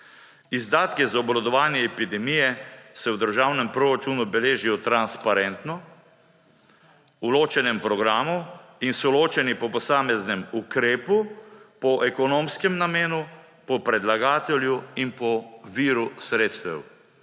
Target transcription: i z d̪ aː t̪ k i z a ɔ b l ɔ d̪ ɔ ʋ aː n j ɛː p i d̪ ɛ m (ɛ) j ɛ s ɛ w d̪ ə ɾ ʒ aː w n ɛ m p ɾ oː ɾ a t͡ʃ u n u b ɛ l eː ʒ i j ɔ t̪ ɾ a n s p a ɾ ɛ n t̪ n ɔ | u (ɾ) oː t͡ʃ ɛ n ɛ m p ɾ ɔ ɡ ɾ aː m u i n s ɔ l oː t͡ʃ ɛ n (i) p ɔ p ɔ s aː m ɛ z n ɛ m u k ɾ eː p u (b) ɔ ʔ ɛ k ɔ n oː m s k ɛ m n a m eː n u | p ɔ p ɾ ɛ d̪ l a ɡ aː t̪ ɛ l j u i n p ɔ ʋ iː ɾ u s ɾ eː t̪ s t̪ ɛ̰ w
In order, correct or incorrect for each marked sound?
incorrect: i, incorrect: l, correct, incorrect: p

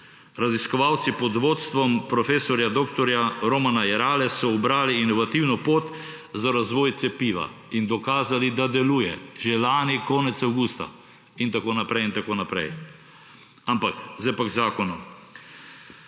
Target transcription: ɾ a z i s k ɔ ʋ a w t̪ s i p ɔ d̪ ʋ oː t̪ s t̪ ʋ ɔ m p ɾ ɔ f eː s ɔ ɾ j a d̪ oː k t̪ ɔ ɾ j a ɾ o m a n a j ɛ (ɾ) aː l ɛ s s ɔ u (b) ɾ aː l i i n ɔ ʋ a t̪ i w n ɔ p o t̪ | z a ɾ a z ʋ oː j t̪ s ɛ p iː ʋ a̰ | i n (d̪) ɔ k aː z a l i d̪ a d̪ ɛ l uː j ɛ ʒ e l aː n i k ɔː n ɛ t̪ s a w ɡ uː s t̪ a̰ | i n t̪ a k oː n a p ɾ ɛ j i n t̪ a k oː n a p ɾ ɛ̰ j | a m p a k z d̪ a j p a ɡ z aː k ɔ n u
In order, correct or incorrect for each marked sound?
correct, correct, correct

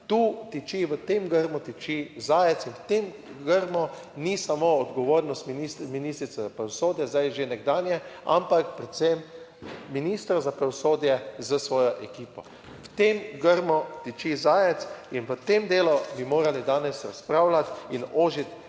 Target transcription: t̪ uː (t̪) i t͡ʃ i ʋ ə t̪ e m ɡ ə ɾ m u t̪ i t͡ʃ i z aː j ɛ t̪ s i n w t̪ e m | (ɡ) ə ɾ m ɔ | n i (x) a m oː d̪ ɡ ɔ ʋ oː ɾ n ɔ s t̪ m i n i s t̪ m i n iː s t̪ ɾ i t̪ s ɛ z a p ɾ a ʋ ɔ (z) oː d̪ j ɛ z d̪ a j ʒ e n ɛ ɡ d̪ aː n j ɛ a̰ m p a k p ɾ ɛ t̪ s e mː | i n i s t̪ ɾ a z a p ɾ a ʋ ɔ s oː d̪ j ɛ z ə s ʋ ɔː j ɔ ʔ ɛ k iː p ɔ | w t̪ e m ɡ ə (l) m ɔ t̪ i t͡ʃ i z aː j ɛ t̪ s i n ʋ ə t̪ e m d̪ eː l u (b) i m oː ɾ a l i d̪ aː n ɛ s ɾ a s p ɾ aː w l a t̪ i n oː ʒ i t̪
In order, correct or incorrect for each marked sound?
correct, correct, incorrect: s, incorrect: s, incorrect: ɾ, correct

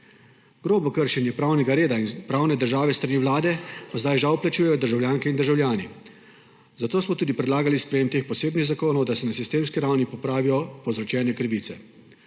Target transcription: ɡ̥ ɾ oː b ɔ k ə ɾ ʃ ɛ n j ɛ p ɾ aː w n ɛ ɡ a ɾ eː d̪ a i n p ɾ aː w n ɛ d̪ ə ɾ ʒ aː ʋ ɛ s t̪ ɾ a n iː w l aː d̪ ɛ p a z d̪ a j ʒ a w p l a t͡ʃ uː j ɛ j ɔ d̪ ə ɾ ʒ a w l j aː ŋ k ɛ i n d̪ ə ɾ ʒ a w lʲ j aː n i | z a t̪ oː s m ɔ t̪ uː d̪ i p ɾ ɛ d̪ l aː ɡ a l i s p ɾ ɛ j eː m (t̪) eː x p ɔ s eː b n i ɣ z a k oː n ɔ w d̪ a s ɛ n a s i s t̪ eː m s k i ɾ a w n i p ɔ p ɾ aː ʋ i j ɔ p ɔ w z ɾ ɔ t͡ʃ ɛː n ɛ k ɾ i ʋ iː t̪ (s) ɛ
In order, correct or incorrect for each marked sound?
correct, correct

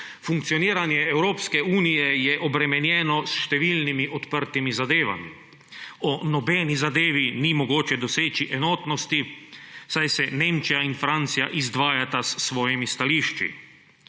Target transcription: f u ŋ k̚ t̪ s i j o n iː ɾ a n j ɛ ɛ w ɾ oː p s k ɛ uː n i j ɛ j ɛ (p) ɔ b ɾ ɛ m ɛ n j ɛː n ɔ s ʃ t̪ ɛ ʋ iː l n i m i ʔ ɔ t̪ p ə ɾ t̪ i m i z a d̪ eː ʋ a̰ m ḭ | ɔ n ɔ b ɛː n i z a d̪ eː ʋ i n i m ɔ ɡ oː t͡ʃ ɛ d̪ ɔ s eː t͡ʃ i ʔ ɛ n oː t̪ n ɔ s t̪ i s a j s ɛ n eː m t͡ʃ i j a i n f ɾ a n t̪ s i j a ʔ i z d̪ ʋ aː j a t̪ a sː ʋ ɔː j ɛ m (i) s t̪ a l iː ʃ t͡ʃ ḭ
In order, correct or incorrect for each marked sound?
incorrect: ʔ, correct

